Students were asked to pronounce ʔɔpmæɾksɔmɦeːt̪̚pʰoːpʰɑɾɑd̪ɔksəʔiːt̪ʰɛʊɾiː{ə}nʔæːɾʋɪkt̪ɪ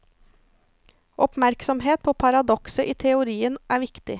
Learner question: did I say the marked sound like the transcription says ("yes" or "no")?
yes